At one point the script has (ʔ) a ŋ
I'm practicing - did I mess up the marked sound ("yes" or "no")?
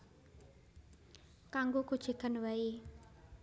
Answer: yes